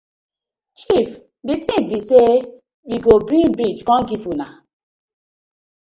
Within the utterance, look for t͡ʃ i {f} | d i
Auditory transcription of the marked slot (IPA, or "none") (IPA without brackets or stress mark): f